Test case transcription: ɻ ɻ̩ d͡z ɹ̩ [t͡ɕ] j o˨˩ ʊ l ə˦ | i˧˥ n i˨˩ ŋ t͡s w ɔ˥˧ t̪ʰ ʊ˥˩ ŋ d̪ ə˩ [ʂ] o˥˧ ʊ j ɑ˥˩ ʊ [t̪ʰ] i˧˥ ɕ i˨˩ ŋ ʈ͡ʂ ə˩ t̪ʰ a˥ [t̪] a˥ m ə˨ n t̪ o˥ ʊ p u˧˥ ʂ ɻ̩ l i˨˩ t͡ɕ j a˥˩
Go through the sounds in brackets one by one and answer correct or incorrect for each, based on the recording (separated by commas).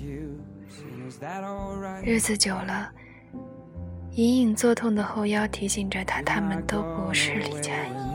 correct, incorrect, correct, incorrect